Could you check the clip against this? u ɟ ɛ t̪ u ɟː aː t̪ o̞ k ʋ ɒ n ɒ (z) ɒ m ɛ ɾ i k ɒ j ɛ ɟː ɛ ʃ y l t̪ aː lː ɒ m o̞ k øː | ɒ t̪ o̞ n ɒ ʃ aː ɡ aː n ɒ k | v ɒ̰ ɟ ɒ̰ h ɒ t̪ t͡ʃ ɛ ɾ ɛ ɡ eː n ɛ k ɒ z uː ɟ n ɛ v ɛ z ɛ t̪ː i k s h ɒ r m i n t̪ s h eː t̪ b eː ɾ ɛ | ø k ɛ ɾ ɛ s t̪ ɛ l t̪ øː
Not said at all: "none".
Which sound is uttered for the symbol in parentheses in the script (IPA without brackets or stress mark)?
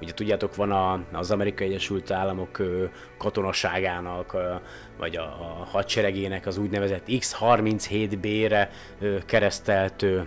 z